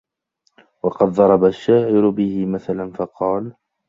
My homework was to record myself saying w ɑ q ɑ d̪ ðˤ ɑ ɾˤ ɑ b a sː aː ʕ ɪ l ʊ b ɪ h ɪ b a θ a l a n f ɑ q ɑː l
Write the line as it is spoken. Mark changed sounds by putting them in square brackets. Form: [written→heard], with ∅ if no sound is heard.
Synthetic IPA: w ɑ q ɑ d̪ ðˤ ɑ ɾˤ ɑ b a [sː→ʃː] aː ʕ ɪ [l→ɾ] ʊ b ɪ h ɪ [b→m] a θ a l a n f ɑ q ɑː l